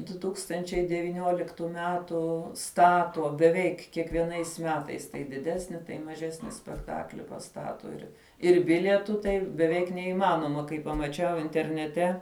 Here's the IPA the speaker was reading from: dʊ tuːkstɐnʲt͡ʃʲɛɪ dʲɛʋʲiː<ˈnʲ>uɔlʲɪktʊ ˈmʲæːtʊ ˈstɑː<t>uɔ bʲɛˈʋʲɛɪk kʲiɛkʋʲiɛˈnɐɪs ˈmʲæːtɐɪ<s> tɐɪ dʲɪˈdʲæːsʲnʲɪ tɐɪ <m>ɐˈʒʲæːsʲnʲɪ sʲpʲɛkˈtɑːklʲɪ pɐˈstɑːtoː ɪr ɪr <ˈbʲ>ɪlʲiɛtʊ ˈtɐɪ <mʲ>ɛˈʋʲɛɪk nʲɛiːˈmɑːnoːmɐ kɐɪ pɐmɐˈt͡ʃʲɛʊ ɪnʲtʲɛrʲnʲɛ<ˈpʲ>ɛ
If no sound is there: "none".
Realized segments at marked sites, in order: nʲ, t, s, m, bʲ, bʲ, tʲ

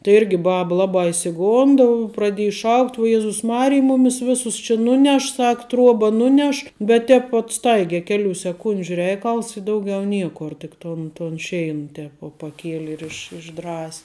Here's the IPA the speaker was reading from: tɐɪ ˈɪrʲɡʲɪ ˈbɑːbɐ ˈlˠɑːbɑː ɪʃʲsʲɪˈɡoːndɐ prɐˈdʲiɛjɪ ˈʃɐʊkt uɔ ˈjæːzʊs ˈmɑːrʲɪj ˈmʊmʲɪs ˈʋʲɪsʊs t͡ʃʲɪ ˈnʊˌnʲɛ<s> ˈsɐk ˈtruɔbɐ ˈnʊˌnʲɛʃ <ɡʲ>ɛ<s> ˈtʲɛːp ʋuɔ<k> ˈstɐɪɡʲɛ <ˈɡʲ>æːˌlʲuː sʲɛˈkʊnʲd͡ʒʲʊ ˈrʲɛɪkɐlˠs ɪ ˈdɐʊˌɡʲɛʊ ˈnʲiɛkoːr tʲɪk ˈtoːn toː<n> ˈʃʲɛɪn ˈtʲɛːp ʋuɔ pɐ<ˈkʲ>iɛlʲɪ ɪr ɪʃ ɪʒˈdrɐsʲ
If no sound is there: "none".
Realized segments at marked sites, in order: ʃ, bʲ, t, t, kʲ, n, kʲ

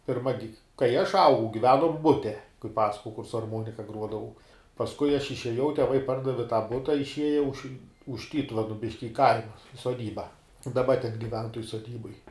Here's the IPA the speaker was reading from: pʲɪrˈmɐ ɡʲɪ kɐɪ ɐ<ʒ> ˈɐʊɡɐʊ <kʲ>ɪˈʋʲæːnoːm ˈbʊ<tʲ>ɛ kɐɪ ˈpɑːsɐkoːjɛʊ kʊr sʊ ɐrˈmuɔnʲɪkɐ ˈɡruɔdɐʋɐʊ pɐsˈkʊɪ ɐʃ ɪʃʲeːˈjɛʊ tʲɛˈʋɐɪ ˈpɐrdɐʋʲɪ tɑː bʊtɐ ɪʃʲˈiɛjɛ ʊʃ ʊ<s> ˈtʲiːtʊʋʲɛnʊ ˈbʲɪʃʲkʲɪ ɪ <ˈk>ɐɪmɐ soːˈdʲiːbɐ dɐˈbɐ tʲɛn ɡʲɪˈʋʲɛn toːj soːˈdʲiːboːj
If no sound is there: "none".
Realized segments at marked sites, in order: ʃ, ɡʲ, tʲ, ʃ, k

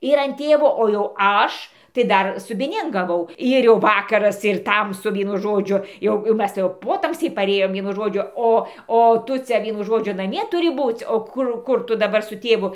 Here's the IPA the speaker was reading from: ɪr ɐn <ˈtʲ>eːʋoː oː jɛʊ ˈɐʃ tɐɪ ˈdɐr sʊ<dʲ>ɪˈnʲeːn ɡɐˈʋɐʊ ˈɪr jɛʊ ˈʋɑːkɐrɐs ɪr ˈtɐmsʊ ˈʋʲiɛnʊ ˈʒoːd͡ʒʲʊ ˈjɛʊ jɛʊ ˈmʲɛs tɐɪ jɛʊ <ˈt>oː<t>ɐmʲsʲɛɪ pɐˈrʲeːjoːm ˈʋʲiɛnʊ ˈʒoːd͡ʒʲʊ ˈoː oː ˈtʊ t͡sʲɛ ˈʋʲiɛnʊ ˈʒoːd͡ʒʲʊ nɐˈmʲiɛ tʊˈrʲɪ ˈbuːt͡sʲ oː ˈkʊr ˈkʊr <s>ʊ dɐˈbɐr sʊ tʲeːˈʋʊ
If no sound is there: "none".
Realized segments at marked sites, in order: tʲ, bʲ, p, t, t

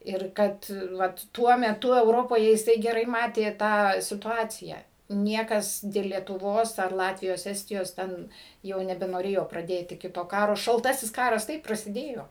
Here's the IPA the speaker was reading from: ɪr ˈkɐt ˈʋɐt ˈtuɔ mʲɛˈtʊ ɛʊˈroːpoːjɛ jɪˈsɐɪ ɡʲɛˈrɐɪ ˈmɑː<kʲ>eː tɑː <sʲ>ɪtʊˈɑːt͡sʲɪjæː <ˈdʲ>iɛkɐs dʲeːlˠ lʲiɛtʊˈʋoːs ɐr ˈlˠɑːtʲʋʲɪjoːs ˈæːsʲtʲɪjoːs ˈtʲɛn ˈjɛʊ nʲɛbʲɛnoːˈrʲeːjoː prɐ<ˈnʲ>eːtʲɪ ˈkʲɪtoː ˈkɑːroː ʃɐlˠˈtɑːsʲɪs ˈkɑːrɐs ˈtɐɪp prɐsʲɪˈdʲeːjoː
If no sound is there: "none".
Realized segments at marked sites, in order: tʲ, sʲ, nʲ, dʲ

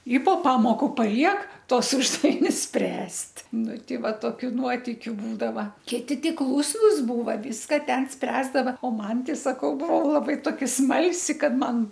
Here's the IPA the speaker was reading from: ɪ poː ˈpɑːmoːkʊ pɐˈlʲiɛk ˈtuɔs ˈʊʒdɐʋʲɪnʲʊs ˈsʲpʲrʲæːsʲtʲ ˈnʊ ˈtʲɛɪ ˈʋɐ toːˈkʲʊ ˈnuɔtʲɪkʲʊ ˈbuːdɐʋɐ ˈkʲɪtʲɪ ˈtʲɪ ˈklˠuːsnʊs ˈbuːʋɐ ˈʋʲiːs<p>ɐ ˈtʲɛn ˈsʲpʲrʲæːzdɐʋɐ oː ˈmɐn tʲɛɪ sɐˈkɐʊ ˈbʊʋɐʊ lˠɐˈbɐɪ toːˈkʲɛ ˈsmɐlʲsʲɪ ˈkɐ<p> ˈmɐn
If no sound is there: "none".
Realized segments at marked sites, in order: k, t

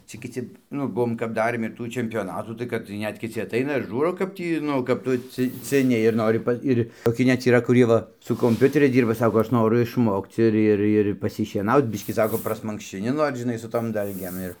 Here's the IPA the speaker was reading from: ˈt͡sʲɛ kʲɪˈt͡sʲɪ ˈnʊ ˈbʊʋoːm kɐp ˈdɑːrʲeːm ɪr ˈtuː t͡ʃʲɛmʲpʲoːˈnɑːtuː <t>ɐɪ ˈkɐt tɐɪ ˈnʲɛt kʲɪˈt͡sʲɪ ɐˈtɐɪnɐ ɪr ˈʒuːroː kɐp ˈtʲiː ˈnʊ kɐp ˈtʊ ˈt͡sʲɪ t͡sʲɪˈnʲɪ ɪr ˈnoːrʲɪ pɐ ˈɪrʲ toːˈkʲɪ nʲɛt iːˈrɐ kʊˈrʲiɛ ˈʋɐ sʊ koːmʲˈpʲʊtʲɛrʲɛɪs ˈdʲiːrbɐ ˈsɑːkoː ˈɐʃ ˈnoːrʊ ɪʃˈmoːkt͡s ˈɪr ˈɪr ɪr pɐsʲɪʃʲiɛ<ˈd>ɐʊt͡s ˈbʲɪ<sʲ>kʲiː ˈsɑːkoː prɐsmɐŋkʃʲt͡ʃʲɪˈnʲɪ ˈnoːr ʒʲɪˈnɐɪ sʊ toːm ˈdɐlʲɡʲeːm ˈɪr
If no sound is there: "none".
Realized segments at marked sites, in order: t, n, ʃʲ

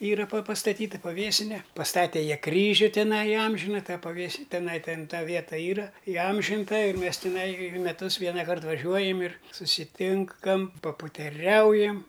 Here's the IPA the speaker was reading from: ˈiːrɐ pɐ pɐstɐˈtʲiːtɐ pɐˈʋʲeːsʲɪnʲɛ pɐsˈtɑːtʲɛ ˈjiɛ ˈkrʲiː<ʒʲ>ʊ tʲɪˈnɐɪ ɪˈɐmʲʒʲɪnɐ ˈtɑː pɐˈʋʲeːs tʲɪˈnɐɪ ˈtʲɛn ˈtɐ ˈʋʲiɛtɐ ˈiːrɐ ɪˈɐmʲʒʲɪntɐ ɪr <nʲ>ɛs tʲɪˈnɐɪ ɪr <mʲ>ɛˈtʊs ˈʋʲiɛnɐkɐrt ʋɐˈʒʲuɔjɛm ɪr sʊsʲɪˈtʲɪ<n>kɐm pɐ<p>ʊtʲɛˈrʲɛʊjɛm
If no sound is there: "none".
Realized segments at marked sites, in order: ʒʲ, mʲ, mʲ, ŋ, p

